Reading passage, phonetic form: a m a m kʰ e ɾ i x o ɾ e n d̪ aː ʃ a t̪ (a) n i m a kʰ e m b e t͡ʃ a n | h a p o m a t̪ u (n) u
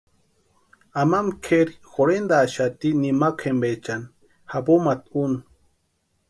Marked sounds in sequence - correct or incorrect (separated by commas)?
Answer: incorrect, correct